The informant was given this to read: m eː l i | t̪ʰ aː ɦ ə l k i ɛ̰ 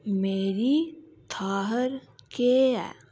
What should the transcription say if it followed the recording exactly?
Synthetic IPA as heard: m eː ɾ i | t̪ʰ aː ɦ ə ɾ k e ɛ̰